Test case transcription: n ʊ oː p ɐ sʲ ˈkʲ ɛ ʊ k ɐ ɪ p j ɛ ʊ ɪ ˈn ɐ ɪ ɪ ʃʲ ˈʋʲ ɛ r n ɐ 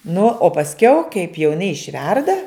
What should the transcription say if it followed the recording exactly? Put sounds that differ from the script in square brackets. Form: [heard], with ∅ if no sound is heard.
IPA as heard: n ʊ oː p ɐ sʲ ˈkʲ ɛ ʊ k ɐ ɪ p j ɛ ʊ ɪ ˈn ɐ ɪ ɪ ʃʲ ˈʋʲ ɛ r [d] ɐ